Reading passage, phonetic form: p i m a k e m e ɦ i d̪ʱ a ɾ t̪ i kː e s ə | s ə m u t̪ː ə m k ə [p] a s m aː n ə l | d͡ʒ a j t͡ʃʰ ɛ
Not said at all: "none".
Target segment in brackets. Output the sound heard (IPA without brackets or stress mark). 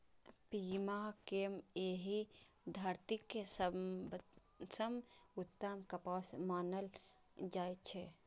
p